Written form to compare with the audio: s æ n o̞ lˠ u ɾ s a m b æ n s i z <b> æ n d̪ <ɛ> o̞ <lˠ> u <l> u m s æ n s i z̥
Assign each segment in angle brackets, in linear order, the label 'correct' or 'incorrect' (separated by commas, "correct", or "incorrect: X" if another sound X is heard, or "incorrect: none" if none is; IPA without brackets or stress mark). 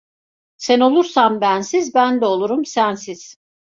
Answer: correct, correct, correct, incorrect: ɾ